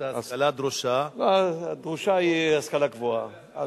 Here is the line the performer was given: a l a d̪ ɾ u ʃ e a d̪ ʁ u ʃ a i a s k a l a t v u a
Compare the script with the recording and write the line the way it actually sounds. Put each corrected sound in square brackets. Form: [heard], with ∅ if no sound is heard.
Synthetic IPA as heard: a l a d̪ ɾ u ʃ [a] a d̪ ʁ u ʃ a i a s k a l a [k] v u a